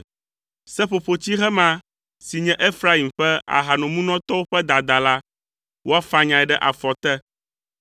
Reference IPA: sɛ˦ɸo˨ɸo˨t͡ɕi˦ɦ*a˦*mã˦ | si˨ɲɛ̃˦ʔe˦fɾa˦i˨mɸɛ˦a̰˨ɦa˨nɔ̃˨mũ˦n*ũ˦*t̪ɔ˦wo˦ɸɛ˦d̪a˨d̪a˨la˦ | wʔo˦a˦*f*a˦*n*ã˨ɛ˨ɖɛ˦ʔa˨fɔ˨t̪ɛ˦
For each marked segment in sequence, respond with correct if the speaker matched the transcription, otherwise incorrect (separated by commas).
incorrect, incorrect, correct, incorrect